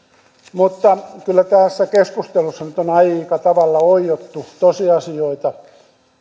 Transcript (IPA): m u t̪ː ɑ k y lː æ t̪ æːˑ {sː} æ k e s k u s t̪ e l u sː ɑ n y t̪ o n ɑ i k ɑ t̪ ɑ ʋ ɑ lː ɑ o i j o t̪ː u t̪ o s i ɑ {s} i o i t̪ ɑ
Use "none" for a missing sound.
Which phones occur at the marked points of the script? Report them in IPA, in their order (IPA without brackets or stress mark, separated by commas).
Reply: sː, s